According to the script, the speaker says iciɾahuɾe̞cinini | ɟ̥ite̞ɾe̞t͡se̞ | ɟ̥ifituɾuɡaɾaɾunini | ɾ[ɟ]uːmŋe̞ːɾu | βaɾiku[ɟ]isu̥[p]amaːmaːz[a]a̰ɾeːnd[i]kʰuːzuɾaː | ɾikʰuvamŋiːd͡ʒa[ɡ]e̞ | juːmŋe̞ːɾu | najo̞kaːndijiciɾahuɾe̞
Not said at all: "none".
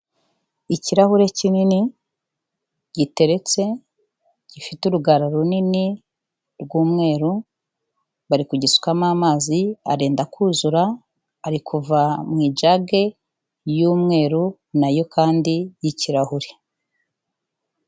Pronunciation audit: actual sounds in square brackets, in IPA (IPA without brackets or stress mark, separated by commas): ɡ, ɟ, k, i, a, ɡ